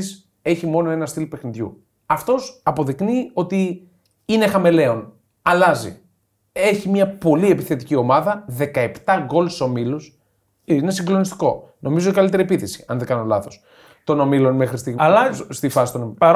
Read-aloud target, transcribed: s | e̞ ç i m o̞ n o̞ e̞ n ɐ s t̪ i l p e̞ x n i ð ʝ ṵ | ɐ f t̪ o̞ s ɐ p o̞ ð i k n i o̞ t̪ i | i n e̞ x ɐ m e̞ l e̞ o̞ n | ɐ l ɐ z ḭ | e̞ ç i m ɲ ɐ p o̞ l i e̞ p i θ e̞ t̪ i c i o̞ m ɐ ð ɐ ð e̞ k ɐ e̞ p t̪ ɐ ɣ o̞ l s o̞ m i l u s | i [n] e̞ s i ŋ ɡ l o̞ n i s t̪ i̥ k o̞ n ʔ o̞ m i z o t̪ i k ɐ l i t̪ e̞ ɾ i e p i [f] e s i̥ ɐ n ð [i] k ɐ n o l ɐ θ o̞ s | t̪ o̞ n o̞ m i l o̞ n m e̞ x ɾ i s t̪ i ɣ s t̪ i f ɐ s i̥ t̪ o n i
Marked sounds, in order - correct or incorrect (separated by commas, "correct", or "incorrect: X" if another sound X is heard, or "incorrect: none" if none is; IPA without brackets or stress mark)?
correct, incorrect: θ, incorrect: e